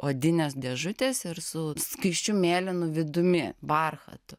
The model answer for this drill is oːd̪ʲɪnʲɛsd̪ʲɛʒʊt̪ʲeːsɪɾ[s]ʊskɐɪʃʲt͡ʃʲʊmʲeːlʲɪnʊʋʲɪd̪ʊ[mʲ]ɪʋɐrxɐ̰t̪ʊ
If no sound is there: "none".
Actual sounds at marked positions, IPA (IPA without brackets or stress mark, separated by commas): s, mʲ